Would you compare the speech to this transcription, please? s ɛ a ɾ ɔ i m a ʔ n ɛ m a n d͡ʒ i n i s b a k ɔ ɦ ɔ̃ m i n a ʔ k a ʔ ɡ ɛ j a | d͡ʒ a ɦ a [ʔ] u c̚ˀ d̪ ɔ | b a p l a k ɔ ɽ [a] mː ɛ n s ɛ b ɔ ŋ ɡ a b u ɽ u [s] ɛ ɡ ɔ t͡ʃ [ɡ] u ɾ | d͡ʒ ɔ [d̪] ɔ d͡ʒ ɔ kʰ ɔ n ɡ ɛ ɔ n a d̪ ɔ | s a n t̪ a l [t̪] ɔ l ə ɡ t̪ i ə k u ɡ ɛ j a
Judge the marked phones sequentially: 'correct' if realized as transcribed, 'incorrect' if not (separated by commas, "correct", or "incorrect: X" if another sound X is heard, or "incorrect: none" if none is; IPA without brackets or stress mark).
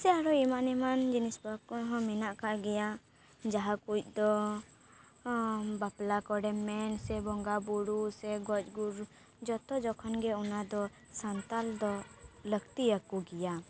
incorrect: k, incorrect: ɛ, correct, correct, incorrect: t̪, incorrect: d̪